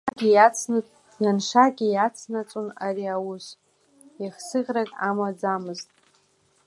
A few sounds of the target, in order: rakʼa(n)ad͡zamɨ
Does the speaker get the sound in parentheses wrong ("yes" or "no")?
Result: yes